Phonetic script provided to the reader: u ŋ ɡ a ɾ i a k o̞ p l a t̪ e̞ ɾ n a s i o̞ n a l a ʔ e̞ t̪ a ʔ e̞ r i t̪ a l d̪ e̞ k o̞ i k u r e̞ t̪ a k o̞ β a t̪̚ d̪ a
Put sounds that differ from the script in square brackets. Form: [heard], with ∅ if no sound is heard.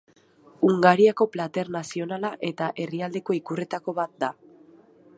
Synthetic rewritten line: u ŋ ɡ a ɾ i a k o̞ p l a t̪ e̞ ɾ n a s i o̞ n a l a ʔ e̞ t̪ a ʔ e̞ r i [∅] a l d̪ e̞ k o̞ i k u r e̞ t̪ a k o̞ β a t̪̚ d̪ a